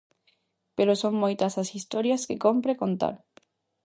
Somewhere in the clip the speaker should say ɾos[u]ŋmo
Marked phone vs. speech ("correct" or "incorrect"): incorrect